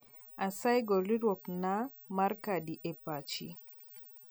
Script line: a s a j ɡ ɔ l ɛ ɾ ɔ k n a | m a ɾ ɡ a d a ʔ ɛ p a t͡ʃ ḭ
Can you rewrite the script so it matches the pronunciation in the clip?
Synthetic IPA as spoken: a s a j ɡ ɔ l i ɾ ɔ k n a | m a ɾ k a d i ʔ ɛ p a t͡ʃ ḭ